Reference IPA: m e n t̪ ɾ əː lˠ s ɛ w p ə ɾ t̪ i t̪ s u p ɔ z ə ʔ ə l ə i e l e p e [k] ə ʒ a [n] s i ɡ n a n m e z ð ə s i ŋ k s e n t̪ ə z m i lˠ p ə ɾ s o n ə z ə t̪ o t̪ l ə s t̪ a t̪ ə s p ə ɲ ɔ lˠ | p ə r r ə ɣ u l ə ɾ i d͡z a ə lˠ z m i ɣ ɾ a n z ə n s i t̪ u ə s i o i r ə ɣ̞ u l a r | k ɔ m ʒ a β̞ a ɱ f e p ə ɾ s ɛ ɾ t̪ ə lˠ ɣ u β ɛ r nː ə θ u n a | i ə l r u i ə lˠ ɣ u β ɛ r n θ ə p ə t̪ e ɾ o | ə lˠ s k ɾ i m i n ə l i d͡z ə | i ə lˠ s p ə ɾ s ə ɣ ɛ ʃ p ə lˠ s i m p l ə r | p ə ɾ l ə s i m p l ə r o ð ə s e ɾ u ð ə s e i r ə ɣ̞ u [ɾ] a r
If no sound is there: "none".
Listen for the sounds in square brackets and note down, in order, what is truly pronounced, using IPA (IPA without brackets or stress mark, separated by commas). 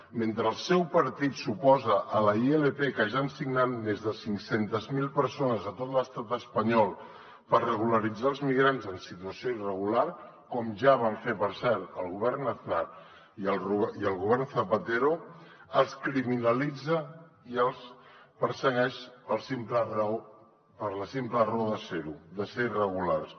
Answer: k, n, l